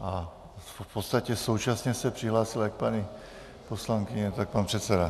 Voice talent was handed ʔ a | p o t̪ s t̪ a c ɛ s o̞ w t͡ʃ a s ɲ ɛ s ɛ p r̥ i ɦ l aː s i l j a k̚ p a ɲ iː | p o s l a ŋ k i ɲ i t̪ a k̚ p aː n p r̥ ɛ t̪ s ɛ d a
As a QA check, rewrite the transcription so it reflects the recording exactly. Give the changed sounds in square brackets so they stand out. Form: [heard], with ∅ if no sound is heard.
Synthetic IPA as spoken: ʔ a | p o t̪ s t̪ a c ɛ s o̞ w t͡ʃ a s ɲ ɛ s ɛ p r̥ i ɦ l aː s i l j a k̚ p a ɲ [i] | p o s l a ŋ k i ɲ [ɛ] t̪ a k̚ p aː n p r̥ ɛ t̪ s ɛ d a